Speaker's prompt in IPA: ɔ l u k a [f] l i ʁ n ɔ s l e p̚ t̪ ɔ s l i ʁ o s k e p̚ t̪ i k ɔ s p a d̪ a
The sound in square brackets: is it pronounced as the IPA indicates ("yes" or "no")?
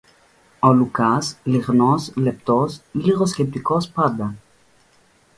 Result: no